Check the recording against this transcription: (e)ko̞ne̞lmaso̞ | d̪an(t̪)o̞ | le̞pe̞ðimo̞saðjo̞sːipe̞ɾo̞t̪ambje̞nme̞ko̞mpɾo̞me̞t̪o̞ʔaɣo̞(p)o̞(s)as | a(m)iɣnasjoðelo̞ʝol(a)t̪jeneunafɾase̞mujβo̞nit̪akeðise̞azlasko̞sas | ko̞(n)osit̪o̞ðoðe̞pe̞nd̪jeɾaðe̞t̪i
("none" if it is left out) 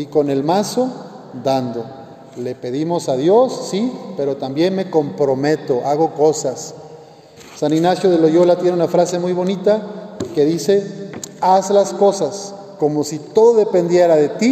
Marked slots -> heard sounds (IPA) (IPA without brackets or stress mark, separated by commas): i, d̪, k, s, n, a, m